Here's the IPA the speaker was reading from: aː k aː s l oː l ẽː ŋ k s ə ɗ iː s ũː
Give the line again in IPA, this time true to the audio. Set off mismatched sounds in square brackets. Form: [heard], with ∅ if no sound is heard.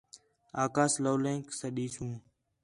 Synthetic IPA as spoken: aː k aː s l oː l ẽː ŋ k s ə ɗ iː s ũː